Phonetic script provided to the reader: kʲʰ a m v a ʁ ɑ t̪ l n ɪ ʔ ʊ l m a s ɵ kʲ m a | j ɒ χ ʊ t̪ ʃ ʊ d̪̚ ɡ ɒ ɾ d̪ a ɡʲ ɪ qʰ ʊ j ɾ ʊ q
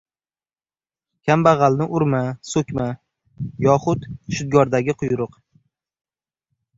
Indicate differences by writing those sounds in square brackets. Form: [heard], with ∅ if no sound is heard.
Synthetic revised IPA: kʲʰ a m [b] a ʁ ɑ [∅] l n ɪ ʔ ʊ [ɾ] m a s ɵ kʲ m a | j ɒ χ ʊ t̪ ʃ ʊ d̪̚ ɡ ɒ ɾ d̪ a ɡʲ ɪ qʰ ʊ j ɾ ʊ q